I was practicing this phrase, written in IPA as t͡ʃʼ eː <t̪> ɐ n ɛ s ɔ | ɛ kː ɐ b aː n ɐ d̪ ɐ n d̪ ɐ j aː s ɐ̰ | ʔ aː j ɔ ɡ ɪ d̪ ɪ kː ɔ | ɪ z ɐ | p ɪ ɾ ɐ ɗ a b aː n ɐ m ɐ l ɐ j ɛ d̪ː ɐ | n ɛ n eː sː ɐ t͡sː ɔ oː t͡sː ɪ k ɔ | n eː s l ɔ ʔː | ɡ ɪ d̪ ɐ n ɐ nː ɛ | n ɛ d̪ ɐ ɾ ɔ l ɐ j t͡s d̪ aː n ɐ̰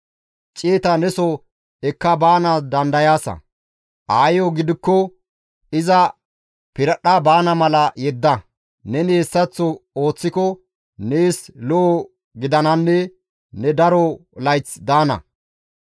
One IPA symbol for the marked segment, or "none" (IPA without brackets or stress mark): t̪